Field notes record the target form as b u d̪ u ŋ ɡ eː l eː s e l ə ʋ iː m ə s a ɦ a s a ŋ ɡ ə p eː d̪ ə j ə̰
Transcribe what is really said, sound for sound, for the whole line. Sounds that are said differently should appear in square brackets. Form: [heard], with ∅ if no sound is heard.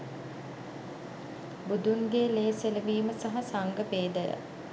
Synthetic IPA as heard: b u d̪ u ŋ ɡ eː l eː s e l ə ʋ iː m ə s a ɦ a s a ŋ ɡ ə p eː d̪ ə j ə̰